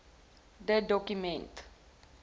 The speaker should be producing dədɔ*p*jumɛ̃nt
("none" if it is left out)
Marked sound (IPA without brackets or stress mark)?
k